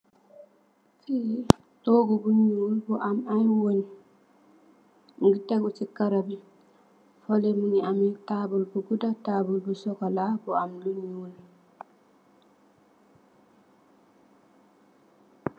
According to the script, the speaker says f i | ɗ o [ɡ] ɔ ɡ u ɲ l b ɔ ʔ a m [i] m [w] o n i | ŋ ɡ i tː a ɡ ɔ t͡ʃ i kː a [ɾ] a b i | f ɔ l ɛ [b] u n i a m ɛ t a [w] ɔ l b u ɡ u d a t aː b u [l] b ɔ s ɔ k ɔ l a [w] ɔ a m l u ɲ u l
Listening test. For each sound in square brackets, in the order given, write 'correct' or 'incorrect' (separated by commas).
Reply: correct, incorrect, correct, correct, incorrect, incorrect, correct, incorrect